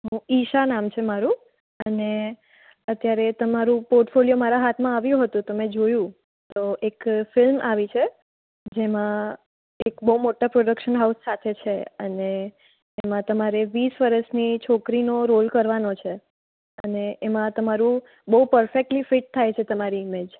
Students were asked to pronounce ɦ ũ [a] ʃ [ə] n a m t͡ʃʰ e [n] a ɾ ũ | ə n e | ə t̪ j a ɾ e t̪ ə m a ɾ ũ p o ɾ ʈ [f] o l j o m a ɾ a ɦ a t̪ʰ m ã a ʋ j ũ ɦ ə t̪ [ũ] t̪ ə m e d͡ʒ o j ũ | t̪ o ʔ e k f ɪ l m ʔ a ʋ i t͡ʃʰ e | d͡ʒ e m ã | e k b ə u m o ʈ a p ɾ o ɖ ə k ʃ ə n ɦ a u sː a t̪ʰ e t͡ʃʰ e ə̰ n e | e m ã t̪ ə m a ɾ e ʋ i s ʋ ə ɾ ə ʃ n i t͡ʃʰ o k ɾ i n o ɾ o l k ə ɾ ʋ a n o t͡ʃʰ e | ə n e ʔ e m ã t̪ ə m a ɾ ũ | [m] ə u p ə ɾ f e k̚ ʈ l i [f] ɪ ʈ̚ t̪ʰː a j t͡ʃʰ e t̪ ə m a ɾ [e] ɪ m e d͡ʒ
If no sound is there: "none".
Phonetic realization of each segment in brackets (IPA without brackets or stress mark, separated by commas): i, a, m, f, ũ, b, f, i